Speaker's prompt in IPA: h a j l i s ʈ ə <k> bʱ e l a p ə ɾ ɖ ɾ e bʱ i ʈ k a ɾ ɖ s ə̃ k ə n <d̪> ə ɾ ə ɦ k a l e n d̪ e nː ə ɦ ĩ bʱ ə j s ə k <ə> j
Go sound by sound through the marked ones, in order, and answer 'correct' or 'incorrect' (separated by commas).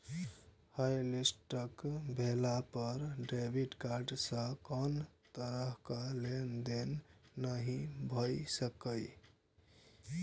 correct, incorrect, correct